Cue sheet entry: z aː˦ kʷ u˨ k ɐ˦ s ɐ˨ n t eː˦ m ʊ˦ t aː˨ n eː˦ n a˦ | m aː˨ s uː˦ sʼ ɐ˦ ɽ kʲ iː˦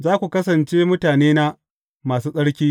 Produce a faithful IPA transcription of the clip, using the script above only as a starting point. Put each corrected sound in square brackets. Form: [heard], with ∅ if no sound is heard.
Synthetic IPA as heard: z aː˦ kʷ u˨ k ɐ˦ s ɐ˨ n [t͡ʃ] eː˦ m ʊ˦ t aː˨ n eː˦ n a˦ | m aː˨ s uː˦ sʼ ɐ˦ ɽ kʲ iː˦